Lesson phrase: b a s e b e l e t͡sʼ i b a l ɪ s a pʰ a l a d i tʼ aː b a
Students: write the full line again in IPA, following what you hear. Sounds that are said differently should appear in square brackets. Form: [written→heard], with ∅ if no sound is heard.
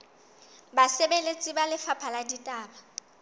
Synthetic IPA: b a s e b e l e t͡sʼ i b a l ɪ [s→f] a pʰ a l a d i tʼ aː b a